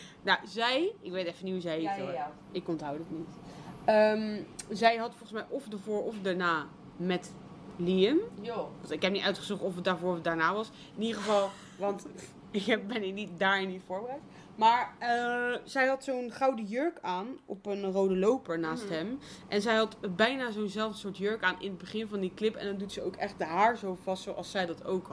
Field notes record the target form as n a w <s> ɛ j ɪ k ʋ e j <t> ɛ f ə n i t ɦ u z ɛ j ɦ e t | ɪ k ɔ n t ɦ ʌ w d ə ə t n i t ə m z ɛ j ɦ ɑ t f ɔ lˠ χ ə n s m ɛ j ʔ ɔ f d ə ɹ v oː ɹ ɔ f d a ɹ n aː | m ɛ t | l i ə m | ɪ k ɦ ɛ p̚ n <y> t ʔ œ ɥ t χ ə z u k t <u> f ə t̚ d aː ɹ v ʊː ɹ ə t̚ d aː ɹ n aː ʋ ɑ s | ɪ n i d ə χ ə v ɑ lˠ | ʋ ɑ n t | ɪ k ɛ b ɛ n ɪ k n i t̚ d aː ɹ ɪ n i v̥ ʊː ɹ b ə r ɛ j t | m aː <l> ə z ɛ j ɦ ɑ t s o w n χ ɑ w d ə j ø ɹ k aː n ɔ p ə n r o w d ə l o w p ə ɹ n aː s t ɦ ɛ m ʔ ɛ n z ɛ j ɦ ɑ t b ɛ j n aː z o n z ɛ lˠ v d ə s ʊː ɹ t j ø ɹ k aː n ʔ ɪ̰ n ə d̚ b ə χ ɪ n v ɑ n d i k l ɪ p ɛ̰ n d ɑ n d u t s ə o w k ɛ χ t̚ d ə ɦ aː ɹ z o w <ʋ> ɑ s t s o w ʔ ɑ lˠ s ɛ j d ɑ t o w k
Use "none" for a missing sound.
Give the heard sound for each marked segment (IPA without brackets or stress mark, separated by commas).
z, t, i, ɔ, ɹ, v